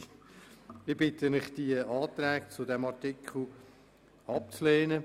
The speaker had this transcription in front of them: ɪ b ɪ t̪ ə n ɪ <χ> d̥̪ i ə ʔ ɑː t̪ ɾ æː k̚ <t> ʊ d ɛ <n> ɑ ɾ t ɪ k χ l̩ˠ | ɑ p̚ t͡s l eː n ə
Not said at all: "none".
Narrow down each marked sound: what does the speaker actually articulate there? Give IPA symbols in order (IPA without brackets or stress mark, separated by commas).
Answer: χ, t͡s, m